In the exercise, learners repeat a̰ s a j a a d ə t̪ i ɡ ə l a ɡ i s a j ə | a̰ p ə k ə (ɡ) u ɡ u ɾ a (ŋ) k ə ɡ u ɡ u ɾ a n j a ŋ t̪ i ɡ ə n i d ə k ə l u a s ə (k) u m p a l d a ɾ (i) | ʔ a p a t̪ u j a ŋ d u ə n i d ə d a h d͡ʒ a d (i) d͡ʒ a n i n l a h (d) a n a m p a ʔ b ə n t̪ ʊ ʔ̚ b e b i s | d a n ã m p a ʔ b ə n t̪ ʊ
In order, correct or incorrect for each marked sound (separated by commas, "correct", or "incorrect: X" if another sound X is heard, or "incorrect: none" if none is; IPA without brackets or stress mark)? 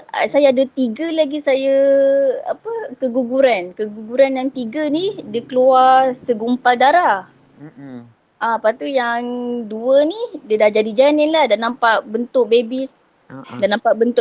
correct, incorrect: n, incorrect: ɡ, incorrect: a, correct, correct